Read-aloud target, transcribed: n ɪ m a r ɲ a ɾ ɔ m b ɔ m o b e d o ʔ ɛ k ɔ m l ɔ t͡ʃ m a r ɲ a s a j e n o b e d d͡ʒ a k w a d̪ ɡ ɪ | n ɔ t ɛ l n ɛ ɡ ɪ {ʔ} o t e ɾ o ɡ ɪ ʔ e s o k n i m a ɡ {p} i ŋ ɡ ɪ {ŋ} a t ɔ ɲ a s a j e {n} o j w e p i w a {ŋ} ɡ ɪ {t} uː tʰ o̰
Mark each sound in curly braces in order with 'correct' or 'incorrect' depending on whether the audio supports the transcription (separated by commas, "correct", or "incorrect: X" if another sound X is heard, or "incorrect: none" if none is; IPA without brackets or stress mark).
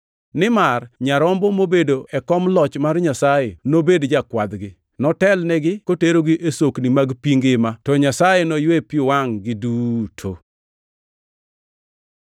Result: incorrect: k, correct, incorrect: m, correct, correct, incorrect: d